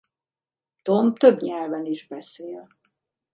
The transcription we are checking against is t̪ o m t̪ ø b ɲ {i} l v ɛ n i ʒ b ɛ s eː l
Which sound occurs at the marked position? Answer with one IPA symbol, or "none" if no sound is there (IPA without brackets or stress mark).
ɛ